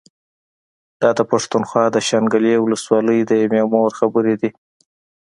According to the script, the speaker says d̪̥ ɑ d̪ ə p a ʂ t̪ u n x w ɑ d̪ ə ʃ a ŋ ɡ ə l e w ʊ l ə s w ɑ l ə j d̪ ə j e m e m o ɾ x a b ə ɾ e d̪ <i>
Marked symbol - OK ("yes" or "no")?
yes